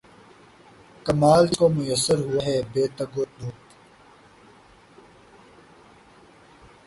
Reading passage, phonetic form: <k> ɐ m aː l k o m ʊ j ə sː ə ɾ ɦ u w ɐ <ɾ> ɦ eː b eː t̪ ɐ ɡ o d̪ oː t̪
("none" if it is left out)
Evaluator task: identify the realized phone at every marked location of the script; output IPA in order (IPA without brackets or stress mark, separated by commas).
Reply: k, none